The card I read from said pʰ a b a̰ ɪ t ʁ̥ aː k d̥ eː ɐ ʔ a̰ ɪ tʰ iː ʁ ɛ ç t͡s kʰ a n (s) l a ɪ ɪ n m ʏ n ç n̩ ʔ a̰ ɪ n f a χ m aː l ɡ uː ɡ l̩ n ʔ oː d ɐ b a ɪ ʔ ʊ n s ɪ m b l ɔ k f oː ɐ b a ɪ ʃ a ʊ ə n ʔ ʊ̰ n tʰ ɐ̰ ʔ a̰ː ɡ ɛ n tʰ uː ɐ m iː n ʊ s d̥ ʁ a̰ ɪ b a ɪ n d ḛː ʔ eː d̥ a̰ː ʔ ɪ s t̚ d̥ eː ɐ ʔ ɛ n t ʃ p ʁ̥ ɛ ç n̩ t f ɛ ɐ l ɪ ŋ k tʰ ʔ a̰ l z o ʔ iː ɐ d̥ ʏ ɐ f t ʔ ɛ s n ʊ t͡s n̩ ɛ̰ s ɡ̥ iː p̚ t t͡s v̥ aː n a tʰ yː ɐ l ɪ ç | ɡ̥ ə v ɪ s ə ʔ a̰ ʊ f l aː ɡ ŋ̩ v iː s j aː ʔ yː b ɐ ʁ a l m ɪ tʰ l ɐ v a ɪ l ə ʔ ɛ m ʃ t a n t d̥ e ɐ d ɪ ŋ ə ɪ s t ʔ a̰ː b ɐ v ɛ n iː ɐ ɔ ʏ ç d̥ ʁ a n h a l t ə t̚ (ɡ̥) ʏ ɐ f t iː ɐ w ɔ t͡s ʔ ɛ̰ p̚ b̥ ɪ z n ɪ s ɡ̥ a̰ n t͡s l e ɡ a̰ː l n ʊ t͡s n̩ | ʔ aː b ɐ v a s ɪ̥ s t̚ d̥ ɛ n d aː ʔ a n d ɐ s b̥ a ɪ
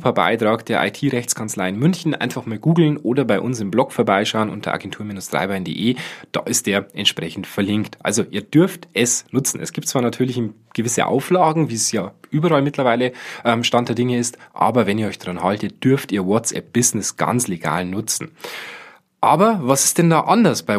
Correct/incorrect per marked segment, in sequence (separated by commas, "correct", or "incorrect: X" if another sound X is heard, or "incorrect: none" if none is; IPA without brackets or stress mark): incorrect: t͡s, incorrect: d̥